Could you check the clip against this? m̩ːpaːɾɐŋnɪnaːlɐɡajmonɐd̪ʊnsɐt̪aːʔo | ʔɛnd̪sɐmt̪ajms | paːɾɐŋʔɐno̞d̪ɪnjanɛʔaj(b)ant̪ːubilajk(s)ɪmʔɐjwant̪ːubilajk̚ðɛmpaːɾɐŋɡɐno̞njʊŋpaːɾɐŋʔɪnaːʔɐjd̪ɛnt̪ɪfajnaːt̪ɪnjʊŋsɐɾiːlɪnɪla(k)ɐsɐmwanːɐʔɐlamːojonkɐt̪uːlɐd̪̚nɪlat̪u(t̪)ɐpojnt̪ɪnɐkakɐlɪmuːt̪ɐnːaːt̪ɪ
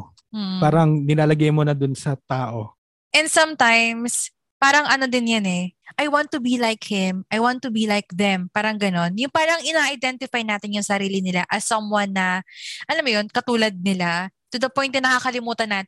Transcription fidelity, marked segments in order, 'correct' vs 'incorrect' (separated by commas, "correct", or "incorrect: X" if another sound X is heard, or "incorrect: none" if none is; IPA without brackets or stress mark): incorrect: w, incorrect: h, incorrect: ʔ, incorrect: d̪